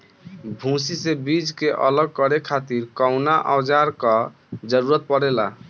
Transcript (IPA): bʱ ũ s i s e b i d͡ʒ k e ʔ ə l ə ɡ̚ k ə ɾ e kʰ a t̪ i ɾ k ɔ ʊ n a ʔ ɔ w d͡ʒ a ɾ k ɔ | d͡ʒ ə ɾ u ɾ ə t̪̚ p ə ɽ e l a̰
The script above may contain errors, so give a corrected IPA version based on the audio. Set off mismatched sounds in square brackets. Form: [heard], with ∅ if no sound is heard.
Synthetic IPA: bʱ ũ s i s e b i d͡ʒ k e ʔ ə l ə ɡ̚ k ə ɾ e kʰ a t̪ i ɾ k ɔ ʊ n a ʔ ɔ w d͡ʒ a ɾ k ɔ | d͡ʒ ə ɾ u ɾ ə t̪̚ p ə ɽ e l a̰